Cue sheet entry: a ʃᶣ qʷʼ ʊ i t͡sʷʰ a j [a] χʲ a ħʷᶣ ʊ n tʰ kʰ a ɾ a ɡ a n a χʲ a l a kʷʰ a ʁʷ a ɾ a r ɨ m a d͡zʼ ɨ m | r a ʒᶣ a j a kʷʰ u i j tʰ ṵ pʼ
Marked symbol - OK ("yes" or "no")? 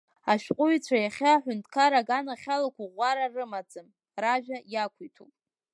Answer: yes